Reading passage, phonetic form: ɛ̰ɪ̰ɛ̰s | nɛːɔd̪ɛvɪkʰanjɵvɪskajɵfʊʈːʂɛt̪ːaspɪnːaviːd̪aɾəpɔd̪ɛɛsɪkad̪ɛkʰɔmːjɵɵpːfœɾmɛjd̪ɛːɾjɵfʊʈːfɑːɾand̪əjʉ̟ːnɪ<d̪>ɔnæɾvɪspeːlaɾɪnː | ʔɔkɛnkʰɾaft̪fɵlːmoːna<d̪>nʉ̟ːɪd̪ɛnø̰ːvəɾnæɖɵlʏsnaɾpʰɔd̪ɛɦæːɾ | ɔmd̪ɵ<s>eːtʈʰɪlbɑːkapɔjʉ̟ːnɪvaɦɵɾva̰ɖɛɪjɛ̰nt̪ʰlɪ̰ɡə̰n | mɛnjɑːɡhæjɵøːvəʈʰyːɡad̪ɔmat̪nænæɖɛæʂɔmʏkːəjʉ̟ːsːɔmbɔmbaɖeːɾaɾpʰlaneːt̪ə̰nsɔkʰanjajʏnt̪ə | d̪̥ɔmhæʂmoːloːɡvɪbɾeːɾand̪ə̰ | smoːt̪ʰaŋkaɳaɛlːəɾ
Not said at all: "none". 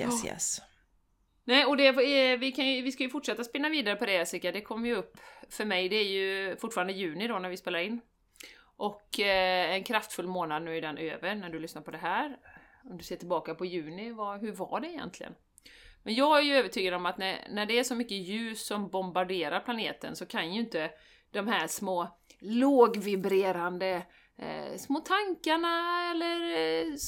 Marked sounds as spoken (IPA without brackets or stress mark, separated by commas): d̪, d̪, s